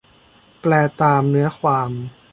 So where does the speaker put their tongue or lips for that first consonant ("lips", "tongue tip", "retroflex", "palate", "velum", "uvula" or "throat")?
lips